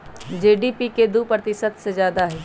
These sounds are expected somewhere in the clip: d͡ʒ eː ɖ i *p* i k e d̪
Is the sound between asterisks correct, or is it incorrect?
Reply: correct